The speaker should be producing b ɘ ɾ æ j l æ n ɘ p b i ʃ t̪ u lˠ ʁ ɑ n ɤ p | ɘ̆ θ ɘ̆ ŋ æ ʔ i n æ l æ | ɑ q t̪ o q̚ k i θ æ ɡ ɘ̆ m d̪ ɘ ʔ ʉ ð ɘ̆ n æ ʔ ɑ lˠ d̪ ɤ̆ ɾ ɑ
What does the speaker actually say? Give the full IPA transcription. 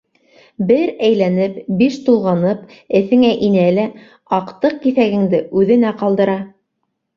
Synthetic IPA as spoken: b ɘ ɾ æ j l æ n ɘ p b i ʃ t̪ u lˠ ʁ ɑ n ɤ p | ɘ̆ θ ɘ̆ ŋ æ ʔ i n æ l æ | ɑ q t̪ ɤ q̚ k i θ æ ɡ ɘ̆ ŋ d̪ ɘ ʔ ʉ ð ɘ̆ n æ q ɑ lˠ d̪ ɤ̆ ɾ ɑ